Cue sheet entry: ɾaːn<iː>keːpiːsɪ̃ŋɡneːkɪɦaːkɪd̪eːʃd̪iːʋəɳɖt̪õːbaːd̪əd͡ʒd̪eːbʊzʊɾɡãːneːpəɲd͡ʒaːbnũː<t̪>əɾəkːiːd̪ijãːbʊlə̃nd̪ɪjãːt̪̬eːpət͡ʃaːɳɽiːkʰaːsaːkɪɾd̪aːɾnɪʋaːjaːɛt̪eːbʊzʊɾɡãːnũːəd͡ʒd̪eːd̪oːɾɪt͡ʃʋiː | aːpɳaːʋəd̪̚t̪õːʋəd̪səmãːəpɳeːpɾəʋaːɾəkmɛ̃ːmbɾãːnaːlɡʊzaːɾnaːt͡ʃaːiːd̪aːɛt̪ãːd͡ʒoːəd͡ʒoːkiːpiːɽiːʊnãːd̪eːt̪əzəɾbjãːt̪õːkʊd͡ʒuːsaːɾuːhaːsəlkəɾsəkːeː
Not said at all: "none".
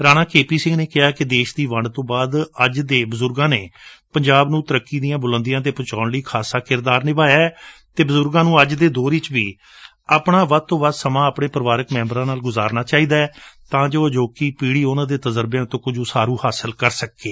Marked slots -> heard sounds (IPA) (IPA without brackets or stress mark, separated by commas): aː, t̪